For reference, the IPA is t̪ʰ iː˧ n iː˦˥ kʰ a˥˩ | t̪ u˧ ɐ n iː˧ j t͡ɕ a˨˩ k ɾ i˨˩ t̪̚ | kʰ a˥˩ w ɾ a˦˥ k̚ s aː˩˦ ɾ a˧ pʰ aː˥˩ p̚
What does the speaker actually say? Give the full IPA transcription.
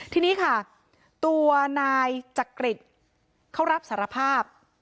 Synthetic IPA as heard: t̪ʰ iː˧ n iː˦˥ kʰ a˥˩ | t̪ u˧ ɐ n aː˧ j t͡ɕ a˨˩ k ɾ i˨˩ t̪̚ | kʰ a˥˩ w ɾ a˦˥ p̚ s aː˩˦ ɾ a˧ pʰ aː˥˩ p̚